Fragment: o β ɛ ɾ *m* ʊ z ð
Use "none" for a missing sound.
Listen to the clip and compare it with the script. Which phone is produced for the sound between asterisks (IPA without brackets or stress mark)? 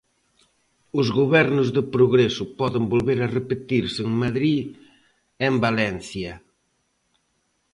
n